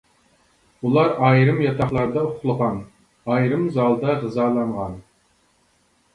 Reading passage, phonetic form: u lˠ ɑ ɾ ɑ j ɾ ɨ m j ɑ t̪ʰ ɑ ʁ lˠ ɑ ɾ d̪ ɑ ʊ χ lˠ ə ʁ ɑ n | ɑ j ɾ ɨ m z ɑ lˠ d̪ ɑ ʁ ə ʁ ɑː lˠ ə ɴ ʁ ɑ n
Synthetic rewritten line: u lˠ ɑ ɾ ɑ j ɾ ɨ m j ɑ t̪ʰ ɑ χ lˠ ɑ ɾ d̪ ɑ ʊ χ lˠ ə ʁ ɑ n | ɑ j ɾ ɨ m z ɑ lˠ d̪ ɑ ʁ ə z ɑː lˠ ɑ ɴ ʁ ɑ n